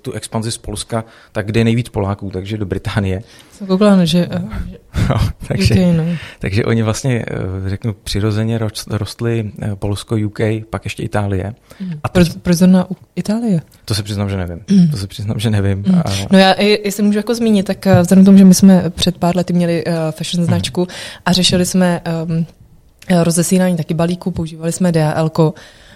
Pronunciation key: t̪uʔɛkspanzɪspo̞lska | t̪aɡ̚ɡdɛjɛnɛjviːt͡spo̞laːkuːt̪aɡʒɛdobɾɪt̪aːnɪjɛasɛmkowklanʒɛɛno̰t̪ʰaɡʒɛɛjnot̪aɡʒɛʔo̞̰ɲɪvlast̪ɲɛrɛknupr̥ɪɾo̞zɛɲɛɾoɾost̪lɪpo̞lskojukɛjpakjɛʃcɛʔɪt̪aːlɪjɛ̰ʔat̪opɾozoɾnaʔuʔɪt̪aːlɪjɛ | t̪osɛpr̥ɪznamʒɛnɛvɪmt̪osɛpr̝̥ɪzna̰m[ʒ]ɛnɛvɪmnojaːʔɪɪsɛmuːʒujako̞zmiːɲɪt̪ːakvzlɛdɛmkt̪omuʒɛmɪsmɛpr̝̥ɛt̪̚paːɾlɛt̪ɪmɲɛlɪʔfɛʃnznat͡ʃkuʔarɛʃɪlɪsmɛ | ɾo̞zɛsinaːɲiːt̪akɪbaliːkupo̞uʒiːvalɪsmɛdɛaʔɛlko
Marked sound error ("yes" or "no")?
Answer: no